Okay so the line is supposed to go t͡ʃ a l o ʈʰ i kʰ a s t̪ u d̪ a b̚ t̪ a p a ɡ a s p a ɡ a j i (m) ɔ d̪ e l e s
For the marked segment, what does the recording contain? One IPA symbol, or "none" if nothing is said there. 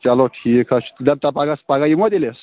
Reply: m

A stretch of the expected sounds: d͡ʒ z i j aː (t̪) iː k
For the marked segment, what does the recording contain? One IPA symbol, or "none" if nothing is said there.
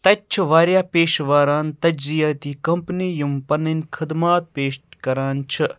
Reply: t̪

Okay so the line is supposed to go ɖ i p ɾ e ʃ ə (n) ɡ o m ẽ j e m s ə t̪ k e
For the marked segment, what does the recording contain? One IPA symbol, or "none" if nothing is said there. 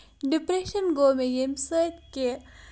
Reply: n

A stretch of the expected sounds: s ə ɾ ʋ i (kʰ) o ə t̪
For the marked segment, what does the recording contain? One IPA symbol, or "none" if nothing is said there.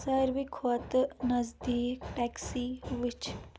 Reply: kʰ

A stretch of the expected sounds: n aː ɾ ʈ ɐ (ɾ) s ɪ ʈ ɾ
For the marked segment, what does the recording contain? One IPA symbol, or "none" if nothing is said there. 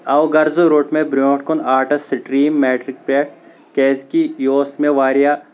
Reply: none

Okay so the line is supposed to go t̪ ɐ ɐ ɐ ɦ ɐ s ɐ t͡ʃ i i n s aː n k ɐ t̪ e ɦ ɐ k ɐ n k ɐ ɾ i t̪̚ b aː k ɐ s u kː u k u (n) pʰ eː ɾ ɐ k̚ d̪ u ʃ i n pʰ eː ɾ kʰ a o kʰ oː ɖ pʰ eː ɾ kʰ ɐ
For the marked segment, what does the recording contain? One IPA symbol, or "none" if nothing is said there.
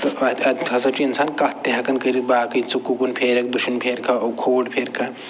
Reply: n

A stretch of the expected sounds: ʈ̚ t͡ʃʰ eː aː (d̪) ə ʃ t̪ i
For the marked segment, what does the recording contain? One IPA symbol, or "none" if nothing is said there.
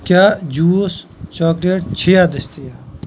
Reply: d̪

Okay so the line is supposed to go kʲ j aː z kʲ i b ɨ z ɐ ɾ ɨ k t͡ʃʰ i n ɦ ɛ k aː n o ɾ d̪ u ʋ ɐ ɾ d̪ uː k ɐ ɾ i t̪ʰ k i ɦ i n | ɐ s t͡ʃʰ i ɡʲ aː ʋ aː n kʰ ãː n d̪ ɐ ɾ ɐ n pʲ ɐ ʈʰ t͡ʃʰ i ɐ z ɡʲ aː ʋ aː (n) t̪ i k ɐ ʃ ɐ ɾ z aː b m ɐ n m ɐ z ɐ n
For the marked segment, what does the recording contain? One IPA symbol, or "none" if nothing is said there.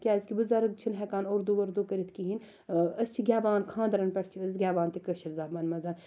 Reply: n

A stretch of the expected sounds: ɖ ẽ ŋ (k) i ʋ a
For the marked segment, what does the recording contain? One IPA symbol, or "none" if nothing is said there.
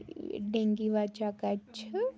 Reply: ɡ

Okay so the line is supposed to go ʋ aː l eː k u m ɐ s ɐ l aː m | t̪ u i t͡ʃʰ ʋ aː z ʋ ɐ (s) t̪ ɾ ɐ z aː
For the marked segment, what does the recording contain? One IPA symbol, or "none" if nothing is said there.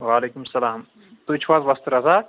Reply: s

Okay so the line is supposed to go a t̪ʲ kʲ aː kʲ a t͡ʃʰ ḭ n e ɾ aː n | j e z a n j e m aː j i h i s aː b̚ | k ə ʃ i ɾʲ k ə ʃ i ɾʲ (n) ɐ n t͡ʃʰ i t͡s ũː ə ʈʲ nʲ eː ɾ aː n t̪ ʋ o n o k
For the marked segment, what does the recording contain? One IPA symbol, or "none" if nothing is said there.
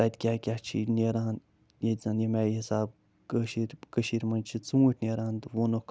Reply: m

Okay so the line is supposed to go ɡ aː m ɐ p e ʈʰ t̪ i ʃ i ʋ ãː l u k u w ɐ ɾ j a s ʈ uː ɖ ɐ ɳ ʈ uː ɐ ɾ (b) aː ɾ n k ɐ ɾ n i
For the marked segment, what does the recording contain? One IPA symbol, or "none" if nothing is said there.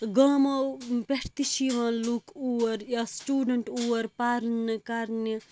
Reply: p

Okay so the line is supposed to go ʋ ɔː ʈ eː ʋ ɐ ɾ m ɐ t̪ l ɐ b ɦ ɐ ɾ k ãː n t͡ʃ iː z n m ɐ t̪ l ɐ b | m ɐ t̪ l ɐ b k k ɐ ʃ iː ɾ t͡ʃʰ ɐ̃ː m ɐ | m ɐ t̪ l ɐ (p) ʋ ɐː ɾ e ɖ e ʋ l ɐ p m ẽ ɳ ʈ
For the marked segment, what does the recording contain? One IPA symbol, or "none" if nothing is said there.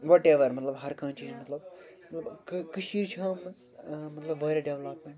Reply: b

